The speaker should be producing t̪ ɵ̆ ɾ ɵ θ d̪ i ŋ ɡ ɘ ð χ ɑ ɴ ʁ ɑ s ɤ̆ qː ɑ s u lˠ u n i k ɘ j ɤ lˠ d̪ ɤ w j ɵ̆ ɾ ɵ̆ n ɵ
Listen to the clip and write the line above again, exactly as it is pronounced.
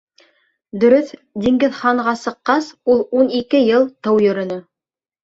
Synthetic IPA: d̪ ɵ̆ ɾ ɵ θ d̪ i ŋ ɡ ɘ ð χ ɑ ɴ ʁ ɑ s ɤ̆ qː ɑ s u lˠ u n i k ɘ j ɤ lˠ t̪ ɤ w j ɵ̆ ɾ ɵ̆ n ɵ